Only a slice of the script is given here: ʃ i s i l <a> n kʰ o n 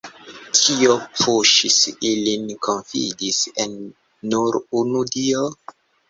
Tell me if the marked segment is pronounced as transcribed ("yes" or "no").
no